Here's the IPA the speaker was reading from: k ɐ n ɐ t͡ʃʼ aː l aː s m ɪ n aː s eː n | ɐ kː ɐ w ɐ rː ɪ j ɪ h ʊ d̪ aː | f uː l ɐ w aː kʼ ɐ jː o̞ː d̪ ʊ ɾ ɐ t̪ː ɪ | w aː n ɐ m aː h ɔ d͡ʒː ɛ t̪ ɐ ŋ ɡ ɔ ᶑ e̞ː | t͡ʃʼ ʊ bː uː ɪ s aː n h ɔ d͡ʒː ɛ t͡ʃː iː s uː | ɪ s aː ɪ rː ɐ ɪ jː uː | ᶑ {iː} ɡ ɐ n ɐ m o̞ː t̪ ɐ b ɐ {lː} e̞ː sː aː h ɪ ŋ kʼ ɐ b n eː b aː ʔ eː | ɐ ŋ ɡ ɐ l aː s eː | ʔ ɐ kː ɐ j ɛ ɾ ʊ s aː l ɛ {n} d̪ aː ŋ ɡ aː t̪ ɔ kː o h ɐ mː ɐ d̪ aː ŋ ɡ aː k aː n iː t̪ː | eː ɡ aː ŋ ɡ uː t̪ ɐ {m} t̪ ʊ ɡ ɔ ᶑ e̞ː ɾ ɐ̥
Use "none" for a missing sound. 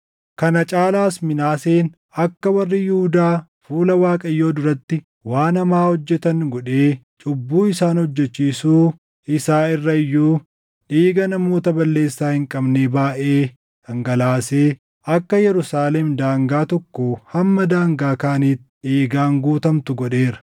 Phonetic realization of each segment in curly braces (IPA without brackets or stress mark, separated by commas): iː, lː, m, m